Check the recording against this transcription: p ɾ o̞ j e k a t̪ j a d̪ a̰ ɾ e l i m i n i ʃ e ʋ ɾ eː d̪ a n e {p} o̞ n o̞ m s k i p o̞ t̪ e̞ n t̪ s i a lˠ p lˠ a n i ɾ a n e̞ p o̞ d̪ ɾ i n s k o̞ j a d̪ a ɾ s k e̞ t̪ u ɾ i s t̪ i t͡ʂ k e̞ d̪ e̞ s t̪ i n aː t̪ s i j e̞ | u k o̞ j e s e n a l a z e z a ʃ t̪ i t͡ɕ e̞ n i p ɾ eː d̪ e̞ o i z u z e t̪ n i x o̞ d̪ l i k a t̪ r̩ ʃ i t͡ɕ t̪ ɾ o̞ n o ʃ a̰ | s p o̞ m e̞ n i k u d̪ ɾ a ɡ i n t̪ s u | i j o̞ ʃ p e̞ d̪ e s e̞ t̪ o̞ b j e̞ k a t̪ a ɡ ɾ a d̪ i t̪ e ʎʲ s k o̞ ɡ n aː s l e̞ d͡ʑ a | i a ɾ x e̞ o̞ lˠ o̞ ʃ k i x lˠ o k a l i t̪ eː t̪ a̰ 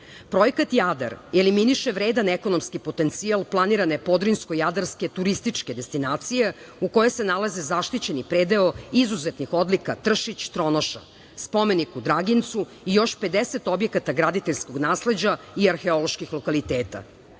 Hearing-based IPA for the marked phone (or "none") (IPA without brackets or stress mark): k